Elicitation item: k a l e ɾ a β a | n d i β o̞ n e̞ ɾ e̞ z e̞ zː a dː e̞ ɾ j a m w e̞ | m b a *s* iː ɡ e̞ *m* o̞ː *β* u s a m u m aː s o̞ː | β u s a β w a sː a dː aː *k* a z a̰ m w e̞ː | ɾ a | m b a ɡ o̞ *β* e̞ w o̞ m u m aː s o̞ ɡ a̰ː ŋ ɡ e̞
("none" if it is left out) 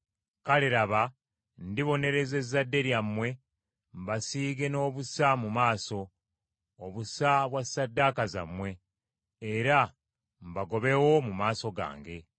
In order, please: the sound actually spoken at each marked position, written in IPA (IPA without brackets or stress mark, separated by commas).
s, n, β, k, β